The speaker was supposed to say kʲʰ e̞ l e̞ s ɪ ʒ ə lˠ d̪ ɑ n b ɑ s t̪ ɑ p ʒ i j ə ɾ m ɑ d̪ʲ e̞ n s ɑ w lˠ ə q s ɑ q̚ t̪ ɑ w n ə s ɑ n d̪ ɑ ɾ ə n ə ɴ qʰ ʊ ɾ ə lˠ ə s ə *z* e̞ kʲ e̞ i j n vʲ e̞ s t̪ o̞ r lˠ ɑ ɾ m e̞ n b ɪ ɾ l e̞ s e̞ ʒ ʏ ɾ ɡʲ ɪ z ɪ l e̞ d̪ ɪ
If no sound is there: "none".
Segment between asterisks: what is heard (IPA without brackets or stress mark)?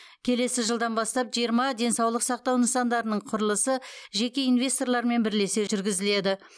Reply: ʒ